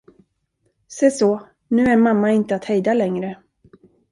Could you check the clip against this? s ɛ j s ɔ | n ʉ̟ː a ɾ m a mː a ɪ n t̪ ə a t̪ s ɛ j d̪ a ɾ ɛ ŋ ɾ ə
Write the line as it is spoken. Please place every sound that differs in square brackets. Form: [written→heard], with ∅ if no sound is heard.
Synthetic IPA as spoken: s ɛ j s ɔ | n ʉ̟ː [a→æ] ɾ m a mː a ɪ n t̪ ə a t̪ [s→h] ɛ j d̪ a [ɾ→l] ɛ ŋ ɾ ə